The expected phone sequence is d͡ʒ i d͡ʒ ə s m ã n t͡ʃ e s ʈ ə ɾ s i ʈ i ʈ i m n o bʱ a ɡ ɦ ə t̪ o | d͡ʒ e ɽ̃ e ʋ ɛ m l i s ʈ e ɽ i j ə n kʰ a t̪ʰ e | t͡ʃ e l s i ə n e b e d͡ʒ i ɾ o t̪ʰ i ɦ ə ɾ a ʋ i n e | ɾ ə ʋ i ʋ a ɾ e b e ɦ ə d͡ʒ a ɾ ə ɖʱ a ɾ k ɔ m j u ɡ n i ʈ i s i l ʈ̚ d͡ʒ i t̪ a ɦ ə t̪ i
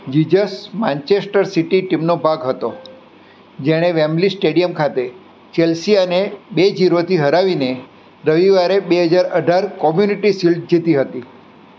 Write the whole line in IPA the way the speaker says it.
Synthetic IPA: d͡ʒ i d͡ʒ ə s m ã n t͡ʃ e s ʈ ə ɾ s i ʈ i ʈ i m n o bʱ a ɡ ɦ ə t̪ o | d͡ʒ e ɽ̃ e ʋ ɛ m l i s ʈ e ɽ i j ə m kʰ a t̪ e | t͡ʃ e l s i ə n e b e d͡ʒ i ɾ o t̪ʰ i ɦ ə ɾ a ʋ i n e | ɾ ə ʋ i ʋ a ɾ e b e ɦ ə d͡ʒ a ɾ ə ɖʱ a ɾ k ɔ m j u n i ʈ i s i l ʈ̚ d͡ʒ i t̪ i ɦ ə t̪ i